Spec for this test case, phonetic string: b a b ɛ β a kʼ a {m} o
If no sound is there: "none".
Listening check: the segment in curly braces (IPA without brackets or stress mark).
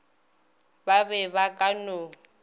n